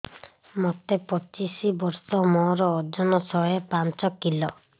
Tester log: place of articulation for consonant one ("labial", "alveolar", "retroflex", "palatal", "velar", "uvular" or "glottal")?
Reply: labial